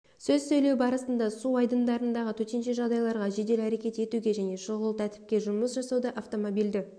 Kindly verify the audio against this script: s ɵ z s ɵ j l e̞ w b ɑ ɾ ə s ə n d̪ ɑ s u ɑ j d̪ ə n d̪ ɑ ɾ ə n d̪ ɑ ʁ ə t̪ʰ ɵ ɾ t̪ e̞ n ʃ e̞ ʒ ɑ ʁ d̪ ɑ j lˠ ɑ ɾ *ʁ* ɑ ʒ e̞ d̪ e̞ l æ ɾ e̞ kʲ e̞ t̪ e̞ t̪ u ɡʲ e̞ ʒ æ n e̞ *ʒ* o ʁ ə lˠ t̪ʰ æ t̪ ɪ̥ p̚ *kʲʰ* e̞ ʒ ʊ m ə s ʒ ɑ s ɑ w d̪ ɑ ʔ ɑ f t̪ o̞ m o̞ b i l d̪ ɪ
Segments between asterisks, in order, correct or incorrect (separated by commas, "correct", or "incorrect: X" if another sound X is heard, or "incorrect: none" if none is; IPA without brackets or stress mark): correct, incorrect: ʃ, incorrect: kʲ